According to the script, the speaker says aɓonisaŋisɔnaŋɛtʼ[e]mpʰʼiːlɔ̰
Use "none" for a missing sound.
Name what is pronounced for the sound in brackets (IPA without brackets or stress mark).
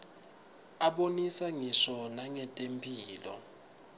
e